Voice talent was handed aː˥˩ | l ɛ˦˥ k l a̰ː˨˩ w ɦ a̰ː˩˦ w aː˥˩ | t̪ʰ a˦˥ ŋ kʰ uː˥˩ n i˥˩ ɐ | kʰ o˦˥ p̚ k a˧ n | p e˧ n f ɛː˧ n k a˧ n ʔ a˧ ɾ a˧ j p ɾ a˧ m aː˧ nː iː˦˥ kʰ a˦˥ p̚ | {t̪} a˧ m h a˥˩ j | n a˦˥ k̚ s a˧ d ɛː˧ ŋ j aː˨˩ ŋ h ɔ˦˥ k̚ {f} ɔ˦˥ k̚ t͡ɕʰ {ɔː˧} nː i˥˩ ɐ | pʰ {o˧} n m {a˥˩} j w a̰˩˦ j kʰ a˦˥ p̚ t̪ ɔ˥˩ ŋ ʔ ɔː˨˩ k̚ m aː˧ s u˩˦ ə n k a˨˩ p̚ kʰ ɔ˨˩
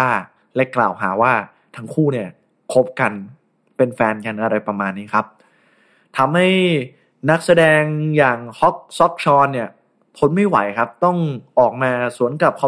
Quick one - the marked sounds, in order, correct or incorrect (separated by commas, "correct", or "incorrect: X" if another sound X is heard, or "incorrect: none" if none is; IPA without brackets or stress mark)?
incorrect: t̪ʰ, incorrect: s, correct, incorrect: o˦˥, correct